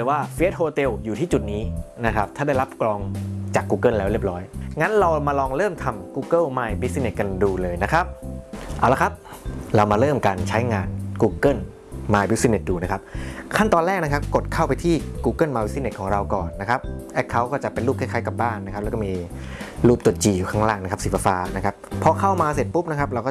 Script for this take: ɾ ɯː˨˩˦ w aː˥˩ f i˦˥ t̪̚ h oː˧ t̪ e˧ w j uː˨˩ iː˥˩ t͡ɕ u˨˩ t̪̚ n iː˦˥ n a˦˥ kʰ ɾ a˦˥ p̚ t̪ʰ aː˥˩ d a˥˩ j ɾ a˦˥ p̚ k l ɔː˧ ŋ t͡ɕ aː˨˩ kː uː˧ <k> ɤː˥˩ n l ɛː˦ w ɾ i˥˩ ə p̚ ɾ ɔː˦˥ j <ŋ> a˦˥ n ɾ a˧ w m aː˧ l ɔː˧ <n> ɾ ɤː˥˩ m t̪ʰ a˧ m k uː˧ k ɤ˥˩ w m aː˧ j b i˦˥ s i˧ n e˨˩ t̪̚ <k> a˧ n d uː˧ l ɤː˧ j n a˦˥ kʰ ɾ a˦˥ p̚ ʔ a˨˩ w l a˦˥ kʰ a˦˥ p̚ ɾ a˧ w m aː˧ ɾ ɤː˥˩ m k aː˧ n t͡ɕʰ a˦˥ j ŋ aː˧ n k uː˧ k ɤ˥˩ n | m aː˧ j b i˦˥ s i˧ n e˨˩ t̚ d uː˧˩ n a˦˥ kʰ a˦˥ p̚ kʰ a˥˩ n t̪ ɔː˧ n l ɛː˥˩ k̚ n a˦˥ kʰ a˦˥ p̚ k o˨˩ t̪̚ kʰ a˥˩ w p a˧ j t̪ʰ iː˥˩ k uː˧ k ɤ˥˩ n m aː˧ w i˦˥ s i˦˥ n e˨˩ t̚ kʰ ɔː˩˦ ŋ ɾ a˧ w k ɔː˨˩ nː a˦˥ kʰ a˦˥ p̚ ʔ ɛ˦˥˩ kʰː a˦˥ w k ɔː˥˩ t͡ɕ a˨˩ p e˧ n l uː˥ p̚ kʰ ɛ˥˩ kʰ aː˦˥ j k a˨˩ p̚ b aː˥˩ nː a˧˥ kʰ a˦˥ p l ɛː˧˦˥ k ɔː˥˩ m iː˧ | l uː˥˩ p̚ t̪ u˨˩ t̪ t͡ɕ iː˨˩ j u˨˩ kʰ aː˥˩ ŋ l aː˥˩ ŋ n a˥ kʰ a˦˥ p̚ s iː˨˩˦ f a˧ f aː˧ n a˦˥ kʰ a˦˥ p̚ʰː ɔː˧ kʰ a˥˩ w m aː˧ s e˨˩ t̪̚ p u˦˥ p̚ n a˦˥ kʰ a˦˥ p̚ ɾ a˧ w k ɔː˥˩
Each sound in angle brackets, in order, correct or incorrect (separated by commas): correct, correct, incorrect, correct